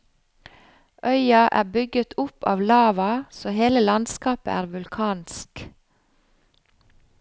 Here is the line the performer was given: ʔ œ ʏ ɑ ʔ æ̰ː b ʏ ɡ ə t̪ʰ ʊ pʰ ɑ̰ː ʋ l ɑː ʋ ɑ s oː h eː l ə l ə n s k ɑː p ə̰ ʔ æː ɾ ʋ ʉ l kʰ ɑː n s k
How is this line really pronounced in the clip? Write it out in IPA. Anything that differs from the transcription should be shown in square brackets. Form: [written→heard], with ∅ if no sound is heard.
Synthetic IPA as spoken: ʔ œ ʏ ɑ ʔ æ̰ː b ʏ ɡ ə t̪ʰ ʊ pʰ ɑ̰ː ʋ l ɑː ʋ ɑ s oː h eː l ə l [ə→ɑ] n s k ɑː p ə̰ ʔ æː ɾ ʋ ʉ l kʰ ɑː n s k